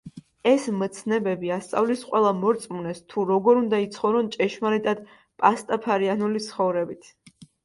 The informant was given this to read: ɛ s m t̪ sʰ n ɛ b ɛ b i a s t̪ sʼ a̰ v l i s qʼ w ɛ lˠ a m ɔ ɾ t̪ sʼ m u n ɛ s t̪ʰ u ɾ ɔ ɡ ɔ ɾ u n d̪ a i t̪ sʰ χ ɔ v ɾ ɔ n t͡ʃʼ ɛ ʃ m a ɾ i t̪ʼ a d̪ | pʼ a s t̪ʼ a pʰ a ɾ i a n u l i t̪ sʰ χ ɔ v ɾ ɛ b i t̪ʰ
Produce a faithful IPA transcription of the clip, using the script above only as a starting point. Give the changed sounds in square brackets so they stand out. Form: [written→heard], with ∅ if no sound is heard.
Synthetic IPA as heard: ɛ s m t̪ sʰ n ɛ b ɛ b i a s t̪ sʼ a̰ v l i s qʼ w ɛ lˠ a m ɔ ɾ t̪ sʼ m u n ɛ s t̪ʰ u ɾ ɔ ɡ ɔ ɾ u n d̪ a i t̪ sʰ χ ɔ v ɾ ɔ n t͡ʃʼ ɛ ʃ m a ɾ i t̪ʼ a d̪ | pʼ a s t̪ʼ a pʰ a ɾ i a n u l i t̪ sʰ χ ɔ v ɾ ɛ b i t̪ʰ